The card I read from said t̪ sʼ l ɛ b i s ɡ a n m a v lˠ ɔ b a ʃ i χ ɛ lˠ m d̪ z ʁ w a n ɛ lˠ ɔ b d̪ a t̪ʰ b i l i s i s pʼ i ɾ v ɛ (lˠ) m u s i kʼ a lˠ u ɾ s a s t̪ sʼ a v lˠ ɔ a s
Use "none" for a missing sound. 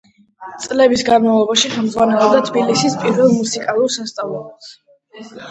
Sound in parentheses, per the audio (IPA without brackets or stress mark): lˠ